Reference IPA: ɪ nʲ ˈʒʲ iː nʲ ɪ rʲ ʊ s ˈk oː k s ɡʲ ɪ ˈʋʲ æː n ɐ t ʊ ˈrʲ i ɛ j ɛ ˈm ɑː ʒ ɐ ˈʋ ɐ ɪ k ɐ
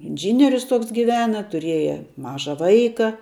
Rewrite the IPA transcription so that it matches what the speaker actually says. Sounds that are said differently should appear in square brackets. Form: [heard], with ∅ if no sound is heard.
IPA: ɪ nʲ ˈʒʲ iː nʲ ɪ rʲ ʊ s [ˈt] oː k s ɡʲ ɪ ˈʋʲ æː n ɐ t ʊ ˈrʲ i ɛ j ɛ ˈm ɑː ʒ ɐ ˈʋ ɐ ɪ k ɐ